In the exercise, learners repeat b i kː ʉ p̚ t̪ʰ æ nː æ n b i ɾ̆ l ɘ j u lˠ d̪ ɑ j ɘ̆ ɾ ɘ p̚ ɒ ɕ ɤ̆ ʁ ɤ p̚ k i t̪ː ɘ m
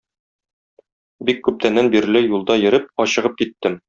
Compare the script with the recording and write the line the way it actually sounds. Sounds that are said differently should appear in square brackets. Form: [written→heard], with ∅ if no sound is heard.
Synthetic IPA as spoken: b i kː ʉ p̚ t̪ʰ æ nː æ n b i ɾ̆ l ɘ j u lˠ d̪ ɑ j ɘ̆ ɾ ɘ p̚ ɒ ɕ ɤ̆ ʁ ɤ p̚ k i t̪ː ɘ m